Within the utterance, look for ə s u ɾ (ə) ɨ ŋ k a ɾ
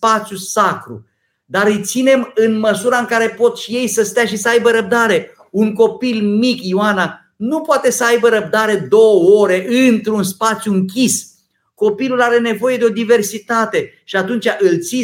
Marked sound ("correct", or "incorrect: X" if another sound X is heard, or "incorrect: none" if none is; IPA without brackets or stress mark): incorrect: a